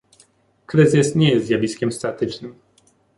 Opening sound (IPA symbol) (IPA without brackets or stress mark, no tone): k